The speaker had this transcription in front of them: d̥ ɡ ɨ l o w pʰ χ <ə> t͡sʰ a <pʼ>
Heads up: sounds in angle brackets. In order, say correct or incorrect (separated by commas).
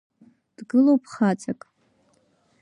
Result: incorrect, incorrect